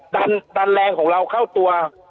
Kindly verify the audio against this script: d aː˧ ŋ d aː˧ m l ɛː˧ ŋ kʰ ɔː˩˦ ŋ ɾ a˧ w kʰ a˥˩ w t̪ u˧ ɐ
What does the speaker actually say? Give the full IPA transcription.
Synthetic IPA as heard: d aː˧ n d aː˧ n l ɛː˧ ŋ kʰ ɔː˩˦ ŋ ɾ a˧ w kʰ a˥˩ w t̪ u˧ ɐ